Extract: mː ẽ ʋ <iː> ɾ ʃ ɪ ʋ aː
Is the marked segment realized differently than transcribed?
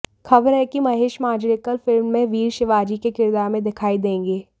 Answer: no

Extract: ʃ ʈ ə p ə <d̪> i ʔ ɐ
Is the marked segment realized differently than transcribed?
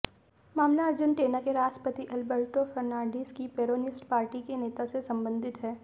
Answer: yes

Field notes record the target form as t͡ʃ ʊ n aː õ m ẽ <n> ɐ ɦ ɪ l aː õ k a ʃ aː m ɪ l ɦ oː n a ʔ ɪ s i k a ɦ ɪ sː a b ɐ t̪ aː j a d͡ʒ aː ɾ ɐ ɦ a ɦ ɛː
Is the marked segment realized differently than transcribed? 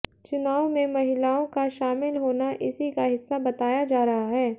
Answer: yes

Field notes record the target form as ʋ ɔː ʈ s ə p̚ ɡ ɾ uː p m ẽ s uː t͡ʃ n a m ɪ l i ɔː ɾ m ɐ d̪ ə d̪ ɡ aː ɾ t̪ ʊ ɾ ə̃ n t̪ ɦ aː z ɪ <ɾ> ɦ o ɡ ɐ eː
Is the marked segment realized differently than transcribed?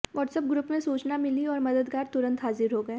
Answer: no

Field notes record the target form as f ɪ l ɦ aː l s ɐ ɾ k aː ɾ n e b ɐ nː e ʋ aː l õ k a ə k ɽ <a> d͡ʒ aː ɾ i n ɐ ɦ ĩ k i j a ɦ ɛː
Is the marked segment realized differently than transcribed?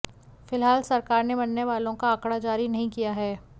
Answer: no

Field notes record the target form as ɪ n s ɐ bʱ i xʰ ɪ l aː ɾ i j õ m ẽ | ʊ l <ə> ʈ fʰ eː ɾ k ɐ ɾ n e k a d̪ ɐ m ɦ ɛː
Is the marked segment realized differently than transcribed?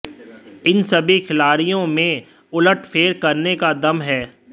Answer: no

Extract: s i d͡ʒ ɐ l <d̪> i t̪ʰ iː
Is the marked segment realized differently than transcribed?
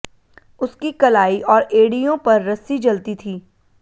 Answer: yes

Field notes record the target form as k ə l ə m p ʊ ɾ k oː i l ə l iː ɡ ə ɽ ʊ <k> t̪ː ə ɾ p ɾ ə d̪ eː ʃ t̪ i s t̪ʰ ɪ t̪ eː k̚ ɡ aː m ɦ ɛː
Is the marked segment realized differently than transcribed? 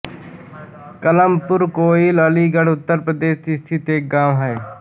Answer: yes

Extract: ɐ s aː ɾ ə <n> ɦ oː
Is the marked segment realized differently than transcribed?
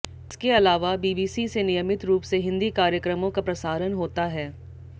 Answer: no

